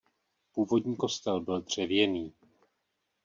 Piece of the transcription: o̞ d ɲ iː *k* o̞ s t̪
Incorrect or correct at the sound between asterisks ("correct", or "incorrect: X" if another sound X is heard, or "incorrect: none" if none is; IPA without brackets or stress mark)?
correct